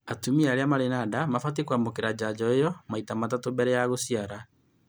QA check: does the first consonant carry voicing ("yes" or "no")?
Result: no